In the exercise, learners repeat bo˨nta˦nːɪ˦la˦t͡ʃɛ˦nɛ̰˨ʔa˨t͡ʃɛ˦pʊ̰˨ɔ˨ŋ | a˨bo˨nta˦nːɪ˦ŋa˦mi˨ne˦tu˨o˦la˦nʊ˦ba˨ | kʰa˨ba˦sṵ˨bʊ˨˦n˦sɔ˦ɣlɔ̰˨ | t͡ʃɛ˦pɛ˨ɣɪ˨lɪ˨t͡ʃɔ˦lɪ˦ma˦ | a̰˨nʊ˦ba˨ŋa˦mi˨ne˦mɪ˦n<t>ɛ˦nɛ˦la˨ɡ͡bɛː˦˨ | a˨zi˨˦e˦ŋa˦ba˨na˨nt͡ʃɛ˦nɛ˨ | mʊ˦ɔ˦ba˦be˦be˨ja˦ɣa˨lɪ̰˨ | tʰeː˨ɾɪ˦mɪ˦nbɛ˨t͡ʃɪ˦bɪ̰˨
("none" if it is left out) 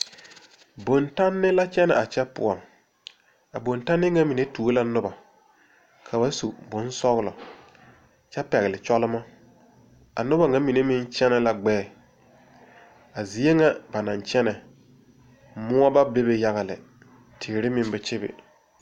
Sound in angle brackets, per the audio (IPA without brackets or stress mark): t͡ʃ